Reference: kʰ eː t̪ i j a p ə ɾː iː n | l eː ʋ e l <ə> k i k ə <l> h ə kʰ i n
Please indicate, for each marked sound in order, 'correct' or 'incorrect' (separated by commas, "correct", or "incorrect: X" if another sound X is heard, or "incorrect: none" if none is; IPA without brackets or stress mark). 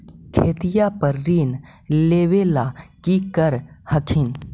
incorrect: a, incorrect: ɾ